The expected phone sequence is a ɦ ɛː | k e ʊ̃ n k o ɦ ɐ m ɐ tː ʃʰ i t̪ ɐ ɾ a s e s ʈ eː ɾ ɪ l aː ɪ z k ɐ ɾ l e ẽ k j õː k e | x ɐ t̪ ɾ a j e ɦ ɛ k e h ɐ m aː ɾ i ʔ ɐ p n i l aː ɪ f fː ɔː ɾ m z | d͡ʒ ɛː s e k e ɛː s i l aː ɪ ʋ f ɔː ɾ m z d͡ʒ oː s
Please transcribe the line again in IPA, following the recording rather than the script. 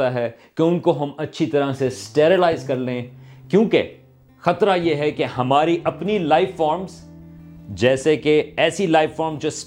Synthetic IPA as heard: a ɦ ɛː | k e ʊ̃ n k o ɦ ɐ m ɐ tː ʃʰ i t̪ ɐ ɾ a s e s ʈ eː ɾ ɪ l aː ɪ z k ɐ ɾ l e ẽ k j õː k e | x ɐ t̪ ɾ a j e ɦ ɛ k e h ɐ m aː ɾ i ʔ ɐ p n i l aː ɪ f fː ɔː ɾ m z | d͡ʒ ɛː s e k e ɛː s i l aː ɪ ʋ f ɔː ɾ m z d͡ʒ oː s